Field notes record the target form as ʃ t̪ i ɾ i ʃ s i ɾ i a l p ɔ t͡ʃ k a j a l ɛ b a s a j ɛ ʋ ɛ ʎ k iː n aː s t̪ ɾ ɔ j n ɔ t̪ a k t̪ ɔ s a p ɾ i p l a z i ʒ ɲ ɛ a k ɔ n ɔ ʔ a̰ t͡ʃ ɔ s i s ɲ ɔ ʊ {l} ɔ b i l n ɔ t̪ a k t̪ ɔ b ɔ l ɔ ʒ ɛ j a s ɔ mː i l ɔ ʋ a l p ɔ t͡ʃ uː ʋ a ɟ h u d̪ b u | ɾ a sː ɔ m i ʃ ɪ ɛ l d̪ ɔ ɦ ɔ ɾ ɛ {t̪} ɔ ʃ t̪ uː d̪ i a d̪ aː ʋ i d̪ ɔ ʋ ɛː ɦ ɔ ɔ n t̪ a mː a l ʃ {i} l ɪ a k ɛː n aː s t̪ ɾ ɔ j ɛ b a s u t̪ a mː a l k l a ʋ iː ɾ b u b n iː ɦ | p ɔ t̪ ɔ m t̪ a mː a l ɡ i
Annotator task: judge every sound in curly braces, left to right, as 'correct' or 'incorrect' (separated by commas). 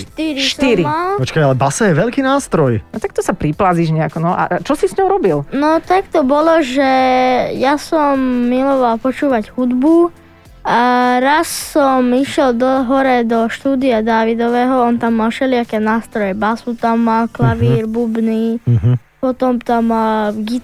incorrect, incorrect, incorrect